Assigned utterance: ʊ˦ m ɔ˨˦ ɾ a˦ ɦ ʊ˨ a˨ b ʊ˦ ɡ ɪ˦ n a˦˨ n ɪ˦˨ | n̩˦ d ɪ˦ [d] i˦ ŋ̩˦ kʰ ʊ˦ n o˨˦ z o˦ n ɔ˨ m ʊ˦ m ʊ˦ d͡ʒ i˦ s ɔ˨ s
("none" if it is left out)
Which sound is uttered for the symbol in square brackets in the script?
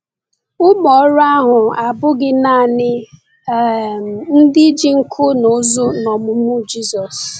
d͡ʒ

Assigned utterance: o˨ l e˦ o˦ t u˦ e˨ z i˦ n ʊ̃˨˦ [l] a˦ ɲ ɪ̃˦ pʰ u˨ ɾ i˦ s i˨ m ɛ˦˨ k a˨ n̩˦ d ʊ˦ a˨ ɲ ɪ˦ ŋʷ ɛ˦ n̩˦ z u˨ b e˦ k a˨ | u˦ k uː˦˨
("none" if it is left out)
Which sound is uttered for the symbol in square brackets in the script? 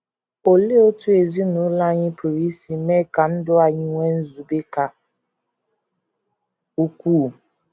l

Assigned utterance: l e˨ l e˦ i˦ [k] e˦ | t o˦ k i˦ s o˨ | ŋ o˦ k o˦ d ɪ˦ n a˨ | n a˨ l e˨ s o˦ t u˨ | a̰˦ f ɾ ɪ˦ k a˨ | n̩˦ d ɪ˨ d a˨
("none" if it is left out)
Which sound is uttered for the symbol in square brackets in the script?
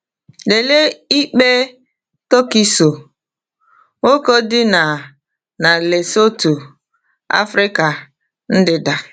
k͡p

